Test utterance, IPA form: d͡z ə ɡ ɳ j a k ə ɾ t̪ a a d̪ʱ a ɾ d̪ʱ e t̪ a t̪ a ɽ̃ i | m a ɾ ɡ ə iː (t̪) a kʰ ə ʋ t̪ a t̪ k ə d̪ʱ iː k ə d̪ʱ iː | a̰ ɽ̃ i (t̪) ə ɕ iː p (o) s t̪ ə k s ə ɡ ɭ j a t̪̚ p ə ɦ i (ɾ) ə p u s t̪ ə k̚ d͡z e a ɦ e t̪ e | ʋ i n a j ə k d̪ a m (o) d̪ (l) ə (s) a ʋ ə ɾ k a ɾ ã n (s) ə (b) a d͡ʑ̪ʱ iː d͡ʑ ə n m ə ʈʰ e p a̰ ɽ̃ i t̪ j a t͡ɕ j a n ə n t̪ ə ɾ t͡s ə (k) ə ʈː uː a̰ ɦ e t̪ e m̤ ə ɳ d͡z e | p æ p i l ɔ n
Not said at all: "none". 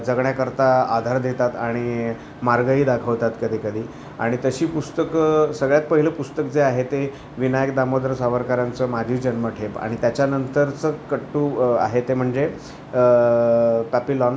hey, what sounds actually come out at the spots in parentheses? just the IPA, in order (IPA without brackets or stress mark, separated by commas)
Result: d̪, t̪, u, l, o, ɾ, s, t͡s, m, k